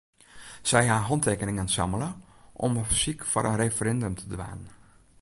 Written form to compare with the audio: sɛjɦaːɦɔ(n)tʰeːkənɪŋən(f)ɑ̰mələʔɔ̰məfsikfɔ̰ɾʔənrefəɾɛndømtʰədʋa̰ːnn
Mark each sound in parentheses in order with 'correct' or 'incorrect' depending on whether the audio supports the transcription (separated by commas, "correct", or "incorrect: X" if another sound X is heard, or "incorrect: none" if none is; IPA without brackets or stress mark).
correct, incorrect: s